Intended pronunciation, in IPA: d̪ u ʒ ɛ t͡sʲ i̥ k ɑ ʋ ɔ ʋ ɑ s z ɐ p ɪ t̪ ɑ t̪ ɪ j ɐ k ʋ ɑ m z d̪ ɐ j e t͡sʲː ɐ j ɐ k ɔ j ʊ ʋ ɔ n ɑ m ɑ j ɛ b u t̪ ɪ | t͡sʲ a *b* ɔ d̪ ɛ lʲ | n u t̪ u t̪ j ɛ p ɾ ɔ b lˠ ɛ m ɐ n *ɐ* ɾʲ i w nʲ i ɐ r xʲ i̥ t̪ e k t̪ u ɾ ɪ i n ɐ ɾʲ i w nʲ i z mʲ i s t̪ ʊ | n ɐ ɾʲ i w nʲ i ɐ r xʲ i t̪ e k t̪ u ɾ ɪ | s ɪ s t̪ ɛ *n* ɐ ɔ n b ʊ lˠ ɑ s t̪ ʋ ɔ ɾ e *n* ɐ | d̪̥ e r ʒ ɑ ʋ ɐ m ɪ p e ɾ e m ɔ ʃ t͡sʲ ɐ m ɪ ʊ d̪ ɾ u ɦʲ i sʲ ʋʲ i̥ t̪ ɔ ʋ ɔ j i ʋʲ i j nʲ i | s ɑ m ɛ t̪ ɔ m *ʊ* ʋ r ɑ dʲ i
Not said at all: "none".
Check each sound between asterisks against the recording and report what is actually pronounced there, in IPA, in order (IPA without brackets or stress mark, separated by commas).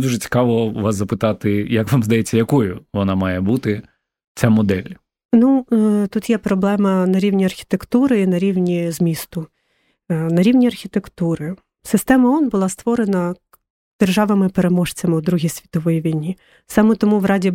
m, ɐ, m, n, u